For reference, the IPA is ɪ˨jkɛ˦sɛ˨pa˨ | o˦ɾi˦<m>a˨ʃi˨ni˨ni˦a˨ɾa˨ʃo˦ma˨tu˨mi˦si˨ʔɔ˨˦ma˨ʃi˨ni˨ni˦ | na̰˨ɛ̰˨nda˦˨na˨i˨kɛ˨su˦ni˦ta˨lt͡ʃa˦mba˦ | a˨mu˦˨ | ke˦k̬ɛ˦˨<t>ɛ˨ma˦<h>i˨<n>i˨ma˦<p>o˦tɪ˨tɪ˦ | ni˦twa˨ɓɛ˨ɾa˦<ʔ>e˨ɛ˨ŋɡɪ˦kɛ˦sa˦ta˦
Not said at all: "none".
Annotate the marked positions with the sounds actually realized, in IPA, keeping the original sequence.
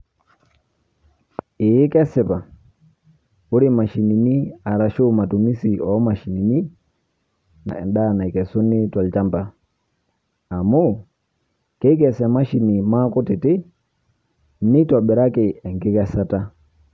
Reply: m, s, ʃ, n, k, k

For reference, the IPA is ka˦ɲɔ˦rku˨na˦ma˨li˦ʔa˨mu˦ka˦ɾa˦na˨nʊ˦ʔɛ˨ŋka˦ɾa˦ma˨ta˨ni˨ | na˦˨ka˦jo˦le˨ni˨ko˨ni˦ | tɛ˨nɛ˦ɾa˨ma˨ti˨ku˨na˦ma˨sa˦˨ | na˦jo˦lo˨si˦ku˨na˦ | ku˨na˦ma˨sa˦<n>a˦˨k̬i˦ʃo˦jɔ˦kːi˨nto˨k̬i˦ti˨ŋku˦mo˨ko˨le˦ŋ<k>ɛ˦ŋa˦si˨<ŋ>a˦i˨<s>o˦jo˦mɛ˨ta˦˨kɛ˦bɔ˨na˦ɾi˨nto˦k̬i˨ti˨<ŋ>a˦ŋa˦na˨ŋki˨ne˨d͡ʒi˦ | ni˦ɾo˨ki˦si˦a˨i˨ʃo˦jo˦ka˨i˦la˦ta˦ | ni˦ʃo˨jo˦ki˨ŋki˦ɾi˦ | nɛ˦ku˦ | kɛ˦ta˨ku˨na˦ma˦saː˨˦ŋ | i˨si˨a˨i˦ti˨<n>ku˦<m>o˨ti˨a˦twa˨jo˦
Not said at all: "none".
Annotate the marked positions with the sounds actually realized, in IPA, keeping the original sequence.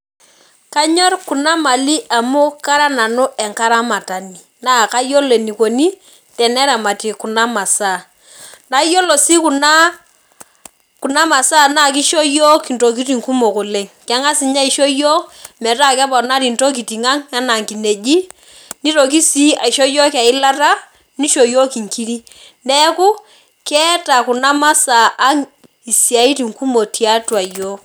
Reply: n, k, ɲ, ʃ, ŋ, ŋ, m

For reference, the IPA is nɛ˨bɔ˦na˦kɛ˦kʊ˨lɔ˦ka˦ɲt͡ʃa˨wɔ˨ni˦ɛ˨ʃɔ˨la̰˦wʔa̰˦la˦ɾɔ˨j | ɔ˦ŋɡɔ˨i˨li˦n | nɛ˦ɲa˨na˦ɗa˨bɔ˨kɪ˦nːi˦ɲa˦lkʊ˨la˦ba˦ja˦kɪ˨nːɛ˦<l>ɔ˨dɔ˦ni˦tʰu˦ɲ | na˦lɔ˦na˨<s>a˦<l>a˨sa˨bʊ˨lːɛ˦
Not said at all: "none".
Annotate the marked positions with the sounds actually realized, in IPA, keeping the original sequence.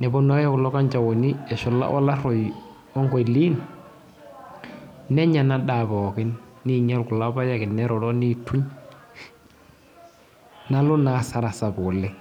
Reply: ɾ, s, ɾ

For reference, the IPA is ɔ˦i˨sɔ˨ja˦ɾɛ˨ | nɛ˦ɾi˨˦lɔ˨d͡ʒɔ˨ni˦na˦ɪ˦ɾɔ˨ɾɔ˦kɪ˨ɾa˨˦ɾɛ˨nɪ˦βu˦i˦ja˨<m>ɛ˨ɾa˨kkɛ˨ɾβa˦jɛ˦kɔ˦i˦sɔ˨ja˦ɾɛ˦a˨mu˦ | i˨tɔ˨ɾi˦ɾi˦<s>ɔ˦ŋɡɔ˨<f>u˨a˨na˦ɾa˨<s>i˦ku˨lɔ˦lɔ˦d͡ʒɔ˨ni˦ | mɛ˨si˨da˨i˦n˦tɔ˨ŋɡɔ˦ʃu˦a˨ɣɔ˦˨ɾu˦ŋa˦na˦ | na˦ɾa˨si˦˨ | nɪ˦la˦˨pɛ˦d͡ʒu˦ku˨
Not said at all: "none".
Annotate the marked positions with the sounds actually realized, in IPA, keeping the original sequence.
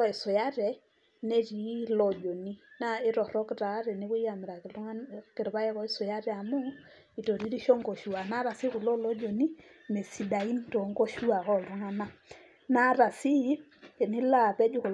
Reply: m, ʃ, ʃ, s

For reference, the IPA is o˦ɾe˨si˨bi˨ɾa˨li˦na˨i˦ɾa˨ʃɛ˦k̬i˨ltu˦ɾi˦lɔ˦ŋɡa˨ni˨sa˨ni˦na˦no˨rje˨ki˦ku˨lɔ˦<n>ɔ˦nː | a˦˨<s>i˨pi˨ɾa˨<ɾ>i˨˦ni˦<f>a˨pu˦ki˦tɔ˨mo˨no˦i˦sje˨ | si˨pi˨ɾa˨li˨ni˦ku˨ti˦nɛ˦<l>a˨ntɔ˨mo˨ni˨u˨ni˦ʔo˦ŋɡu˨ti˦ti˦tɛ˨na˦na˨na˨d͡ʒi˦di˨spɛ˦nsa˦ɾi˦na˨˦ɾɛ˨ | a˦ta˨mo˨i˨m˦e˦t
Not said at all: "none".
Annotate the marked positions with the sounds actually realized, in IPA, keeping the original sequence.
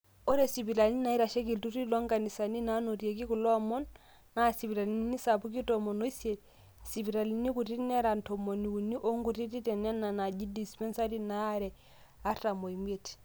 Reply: m, s, l, s, ɾ

